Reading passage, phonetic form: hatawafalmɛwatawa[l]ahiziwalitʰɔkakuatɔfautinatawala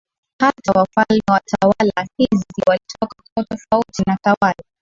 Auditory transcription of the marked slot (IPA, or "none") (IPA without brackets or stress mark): l